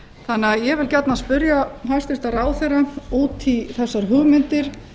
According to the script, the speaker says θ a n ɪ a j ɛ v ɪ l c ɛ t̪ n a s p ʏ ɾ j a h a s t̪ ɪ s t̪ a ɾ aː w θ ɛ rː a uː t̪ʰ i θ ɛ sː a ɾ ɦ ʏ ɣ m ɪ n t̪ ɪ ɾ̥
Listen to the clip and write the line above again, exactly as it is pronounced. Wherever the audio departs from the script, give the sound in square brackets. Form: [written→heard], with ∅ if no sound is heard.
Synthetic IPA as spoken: θ a n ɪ a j ɛ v ɪ l c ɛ t̪ n a s p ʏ ɾ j a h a s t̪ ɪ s t̪ a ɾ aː w θ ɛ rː a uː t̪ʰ i θ ɛ sː a ɾ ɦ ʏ ɣ m ɪ n t̪ ɪ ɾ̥